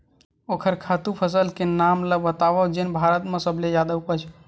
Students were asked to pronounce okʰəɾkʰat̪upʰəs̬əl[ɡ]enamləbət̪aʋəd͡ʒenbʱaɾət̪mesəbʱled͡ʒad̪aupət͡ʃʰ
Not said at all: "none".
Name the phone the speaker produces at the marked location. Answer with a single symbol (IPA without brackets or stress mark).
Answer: k